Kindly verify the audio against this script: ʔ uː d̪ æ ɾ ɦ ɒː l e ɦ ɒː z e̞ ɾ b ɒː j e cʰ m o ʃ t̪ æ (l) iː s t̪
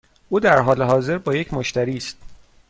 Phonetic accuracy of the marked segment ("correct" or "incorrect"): incorrect